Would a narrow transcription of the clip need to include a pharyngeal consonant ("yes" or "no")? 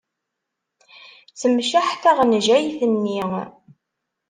yes